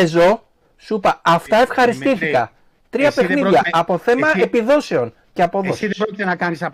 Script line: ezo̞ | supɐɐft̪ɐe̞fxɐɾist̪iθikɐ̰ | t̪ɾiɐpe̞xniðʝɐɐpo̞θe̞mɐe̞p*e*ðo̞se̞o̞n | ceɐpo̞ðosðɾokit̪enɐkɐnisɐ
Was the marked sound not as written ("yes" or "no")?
yes